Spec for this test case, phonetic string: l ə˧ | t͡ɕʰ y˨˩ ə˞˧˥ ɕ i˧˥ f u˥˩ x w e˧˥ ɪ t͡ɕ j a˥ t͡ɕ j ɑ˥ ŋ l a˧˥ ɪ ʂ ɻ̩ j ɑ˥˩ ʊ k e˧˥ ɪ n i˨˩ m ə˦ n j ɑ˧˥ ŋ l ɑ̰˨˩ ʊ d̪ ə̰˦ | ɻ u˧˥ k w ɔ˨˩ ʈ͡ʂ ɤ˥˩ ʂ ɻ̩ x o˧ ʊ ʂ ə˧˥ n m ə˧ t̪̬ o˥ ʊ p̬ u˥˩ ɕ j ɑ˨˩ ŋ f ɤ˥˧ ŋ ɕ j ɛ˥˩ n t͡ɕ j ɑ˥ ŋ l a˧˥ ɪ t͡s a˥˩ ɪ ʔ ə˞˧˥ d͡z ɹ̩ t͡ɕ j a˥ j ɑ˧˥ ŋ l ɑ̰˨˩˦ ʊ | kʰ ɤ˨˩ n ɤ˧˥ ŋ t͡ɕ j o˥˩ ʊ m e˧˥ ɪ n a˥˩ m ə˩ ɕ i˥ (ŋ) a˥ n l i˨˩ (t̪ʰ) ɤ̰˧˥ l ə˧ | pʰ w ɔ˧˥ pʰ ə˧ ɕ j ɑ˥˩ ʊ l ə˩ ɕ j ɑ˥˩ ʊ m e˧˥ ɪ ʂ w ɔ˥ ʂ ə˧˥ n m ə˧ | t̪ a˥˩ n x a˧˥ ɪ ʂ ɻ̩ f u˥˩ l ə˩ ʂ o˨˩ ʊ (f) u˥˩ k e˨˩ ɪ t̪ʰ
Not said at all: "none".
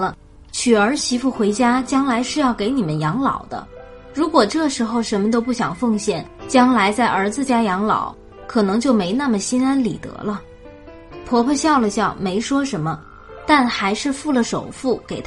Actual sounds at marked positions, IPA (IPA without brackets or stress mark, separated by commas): n, t̪, f